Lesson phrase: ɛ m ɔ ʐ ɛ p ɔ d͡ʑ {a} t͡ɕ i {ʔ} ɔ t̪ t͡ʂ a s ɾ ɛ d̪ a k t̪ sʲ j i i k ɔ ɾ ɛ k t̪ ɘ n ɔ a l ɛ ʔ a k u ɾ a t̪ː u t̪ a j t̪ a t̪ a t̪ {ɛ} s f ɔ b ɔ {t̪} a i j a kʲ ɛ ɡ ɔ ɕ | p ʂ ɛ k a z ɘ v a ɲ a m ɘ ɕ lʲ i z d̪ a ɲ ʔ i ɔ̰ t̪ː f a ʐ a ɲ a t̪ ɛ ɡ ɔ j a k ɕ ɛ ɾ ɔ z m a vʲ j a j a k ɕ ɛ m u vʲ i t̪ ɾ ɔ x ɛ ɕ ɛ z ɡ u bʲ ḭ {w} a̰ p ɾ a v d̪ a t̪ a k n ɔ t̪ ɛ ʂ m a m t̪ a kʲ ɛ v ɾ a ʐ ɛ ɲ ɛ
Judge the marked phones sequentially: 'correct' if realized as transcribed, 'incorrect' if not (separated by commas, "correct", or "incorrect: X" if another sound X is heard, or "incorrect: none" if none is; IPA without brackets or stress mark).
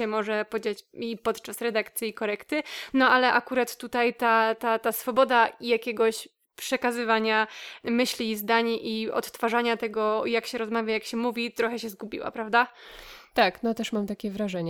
correct, incorrect: p, incorrect: a, incorrect: d̪, correct